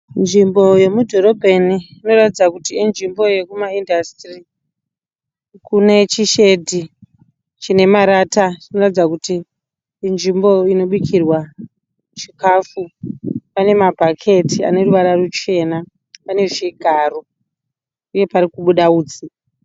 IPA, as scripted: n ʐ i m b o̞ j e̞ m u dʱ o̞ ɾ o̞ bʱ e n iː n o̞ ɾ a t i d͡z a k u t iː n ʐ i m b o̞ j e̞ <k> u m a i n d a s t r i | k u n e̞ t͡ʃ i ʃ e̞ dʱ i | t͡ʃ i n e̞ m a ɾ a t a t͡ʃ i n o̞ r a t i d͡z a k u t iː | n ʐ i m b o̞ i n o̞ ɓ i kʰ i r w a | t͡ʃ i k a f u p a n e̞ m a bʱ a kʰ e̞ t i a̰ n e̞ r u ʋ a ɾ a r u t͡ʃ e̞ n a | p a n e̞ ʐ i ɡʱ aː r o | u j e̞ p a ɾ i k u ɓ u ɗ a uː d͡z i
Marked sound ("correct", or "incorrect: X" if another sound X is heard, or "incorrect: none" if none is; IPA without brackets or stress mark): correct